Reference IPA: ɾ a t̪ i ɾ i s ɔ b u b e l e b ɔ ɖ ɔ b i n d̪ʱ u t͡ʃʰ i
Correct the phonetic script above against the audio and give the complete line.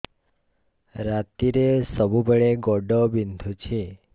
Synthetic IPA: ɾ a t̪ i ɾ e s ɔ b u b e ɭ e ɡ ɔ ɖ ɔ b i n d̪ʱ u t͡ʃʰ i